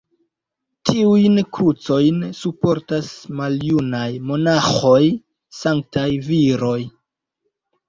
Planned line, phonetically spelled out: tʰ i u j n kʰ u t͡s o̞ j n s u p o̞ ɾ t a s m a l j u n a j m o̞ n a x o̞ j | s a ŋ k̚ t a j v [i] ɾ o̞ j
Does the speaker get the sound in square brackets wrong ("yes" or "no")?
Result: no